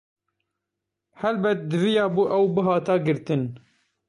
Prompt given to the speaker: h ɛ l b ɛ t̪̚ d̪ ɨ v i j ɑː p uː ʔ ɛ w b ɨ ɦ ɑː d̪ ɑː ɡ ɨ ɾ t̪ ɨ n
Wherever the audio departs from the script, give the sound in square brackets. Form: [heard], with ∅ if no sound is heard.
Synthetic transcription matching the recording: h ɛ l b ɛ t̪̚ d̪ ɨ v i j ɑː [b] uː ʔ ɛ w b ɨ ɦ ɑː [t̪] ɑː ɡ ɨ ɾ t̪ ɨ n